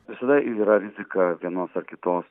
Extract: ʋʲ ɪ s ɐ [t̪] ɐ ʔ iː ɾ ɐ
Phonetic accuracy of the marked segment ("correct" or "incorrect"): incorrect